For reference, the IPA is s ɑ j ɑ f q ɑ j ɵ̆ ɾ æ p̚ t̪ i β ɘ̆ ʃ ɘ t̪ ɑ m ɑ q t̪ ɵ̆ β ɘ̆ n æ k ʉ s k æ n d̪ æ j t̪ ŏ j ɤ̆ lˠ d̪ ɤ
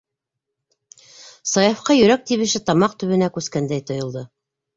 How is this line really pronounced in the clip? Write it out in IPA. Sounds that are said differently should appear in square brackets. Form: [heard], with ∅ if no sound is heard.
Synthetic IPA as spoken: s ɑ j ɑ f q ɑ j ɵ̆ ɾ æ [k̚] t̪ i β ɘ̆ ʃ ɘ t̪ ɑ m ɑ q t̪ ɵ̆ β ɘ̆ n æ k ʉ s k æ n d̪ æ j t̪ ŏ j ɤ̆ lˠ d̪ ɤ